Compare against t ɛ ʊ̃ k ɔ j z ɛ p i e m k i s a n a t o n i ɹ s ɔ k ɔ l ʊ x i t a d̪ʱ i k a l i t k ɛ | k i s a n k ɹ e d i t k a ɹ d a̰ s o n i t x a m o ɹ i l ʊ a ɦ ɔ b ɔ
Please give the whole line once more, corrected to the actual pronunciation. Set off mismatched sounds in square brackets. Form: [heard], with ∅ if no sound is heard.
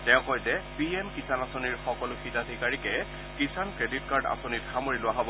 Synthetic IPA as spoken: t ɛ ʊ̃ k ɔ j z ɛ p i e m k i s a n a [s] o n i ɹ [x] ɔ k ɔ l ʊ x i t a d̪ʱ i k a [ɹ] i [∅] k ɛ | k i s a n k ɹ e d i t k a ɹ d a̰ s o n i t x a m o ɹ i l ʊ a ɦ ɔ b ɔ